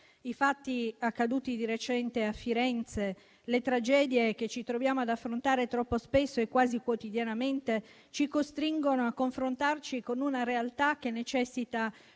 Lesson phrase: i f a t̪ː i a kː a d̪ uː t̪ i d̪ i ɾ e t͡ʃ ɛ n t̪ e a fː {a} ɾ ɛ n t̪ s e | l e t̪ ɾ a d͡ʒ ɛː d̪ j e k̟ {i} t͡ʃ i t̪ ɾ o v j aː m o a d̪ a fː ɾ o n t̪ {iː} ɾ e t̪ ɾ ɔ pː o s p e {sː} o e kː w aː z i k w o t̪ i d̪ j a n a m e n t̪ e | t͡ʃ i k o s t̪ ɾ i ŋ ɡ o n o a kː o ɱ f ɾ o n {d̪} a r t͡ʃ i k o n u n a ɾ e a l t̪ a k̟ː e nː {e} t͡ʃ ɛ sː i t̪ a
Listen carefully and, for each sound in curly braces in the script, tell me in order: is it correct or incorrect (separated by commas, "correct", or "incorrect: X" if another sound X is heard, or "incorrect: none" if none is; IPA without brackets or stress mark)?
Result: incorrect: i, incorrect: e, incorrect: aː, correct, incorrect: t̪, correct